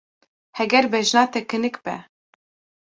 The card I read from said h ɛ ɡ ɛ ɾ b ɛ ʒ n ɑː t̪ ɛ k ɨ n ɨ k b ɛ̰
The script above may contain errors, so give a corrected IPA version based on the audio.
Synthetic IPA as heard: h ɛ ɡ ɛ ɾ b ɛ ʒ n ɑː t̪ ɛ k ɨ n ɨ k b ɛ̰